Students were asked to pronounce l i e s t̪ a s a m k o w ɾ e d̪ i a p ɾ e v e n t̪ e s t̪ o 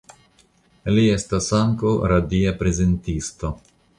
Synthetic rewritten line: l i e s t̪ a s a ŋ k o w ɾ a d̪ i a p ɾ e z e n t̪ i s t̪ o